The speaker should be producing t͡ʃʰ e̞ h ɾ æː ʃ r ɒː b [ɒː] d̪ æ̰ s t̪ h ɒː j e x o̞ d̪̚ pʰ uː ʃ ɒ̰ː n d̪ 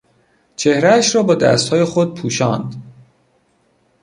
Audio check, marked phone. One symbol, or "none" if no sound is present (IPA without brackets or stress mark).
ɒː